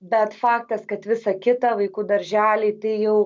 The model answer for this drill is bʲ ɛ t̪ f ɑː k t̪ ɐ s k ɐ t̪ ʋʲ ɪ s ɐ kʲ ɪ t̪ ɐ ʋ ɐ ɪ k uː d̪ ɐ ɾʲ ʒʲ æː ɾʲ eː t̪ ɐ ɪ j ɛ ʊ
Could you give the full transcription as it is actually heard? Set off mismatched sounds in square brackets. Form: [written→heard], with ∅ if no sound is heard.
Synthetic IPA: bʲ ɛ t̪ f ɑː k t̪ ɐ s k ɐ t̪ ʋʲ ɪ s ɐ kʲ ɪ t̪ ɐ ʋ ɐ ɪ k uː d̪ ɐ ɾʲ ʒʲ æː [ɾʲ→lʲ] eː t̪ ɐ ɪ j ɛ ʊ